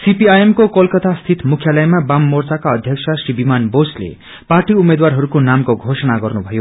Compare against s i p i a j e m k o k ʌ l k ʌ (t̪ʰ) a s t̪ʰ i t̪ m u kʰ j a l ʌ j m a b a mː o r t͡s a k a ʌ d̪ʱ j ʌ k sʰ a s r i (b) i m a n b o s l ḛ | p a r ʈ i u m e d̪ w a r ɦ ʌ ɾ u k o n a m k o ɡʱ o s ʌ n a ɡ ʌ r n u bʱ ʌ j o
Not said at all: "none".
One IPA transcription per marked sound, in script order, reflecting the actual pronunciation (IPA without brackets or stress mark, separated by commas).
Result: t̪, b